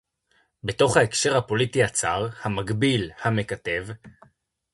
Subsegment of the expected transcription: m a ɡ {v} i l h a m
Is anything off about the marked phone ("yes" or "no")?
yes